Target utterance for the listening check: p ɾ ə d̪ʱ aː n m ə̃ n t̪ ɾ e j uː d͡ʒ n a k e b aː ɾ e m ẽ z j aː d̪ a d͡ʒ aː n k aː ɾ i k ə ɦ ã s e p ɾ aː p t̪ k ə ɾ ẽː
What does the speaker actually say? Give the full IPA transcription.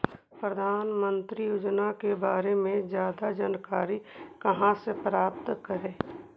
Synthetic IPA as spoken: p ɾ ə d̪ʱ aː n m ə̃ n t̪ ɾ i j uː d͡ʒ n a k e b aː ɾ e m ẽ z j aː d̪ a d͡ʒ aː n k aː ɾ i k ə ɦ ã s e p ɾ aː p t̪ k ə ɾ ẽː